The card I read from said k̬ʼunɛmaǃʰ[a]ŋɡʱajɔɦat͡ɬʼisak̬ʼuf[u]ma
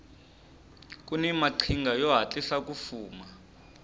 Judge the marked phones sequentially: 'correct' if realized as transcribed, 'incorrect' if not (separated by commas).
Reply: incorrect, incorrect